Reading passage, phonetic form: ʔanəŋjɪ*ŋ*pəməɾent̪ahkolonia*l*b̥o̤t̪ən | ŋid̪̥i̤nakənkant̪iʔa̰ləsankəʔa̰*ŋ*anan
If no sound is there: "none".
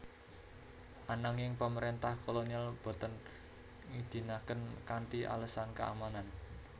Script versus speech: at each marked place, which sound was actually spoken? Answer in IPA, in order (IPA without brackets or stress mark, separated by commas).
ŋ, l, m